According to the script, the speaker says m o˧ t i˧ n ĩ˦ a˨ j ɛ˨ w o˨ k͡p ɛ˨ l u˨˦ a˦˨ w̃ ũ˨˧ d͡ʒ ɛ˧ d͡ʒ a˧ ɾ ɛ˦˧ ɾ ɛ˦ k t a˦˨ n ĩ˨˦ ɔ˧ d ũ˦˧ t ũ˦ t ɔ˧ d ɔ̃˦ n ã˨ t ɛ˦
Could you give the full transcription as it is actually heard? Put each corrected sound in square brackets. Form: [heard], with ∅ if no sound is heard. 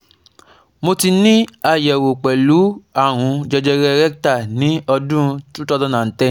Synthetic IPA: m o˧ t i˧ n ĩ˦ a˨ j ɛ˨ w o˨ k͡p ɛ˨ l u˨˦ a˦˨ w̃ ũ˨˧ d͡ʒ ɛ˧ d͡ʒ [ɛ˧] ɾ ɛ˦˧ ɾ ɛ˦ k t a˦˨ n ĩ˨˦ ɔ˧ d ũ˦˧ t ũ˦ t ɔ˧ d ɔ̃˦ n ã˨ t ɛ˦